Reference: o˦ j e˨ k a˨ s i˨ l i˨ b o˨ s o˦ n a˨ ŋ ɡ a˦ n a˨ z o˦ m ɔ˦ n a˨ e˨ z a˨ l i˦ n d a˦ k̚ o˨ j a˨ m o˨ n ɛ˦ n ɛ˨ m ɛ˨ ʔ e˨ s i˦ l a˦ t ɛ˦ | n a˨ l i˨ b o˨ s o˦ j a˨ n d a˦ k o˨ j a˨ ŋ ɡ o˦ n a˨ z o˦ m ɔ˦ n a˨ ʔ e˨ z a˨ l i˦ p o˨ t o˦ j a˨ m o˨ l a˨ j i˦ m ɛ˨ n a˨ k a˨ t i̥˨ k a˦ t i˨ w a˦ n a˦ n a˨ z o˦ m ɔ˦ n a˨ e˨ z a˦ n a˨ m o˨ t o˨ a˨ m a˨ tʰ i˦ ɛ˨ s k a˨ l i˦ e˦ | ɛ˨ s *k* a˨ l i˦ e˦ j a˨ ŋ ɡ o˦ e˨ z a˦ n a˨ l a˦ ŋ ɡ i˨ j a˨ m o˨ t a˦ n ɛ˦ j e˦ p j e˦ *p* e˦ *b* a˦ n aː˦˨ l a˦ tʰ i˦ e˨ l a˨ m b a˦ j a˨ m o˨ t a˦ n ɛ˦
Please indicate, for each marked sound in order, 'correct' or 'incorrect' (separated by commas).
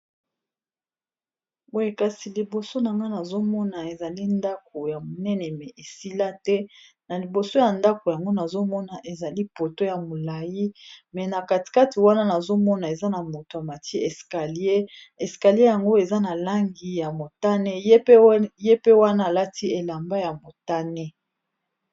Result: correct, correct, incorrect